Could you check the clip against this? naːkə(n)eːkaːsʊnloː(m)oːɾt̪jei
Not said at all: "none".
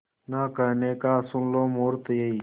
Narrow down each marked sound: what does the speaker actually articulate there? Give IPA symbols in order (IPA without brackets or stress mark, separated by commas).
n, m